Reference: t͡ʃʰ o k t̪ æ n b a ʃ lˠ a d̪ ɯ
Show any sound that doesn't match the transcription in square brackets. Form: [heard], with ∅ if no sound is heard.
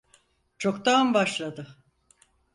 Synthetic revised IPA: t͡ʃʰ o k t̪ [a] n b a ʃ lˠ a d̪ ɯ